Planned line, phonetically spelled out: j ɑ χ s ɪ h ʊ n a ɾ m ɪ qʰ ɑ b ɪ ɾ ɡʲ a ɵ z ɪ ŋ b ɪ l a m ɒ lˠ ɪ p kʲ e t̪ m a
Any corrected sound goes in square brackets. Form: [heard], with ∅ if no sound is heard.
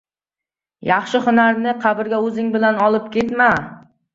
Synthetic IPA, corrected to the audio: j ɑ χ [ʃ] ɪ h ʊ n a ɾ [n] ɪ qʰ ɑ b ɪ ɾ ɡʲ a ɵ z ɪ ŋ b ɪ l a [n] ɒ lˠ ɪ p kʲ e t̪ m a